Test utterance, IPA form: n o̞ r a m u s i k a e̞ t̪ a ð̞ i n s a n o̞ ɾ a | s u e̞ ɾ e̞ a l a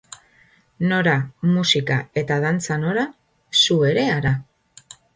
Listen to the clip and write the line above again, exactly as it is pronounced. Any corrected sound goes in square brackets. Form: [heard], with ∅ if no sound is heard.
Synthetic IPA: n o̞ [ɾ] a m u s i k a e̞ t̪ a ð̞ [a] n [t͡s] a n o̞ ɾ a | s u e̞ ɾ e̞ a [ɾ] a